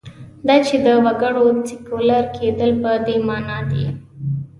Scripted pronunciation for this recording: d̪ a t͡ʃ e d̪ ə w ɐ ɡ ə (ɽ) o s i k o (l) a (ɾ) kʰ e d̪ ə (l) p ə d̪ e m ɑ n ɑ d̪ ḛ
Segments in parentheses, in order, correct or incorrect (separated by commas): correct, correct, correct, correct